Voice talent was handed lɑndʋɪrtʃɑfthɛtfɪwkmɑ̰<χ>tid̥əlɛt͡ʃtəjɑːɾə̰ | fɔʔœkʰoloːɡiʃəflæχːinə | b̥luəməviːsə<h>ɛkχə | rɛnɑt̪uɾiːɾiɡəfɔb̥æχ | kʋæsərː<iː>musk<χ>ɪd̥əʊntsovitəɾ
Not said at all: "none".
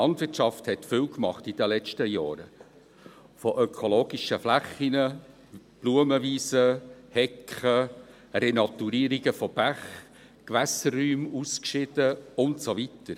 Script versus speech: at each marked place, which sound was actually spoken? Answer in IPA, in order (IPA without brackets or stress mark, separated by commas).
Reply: χ, h, yː, ʃ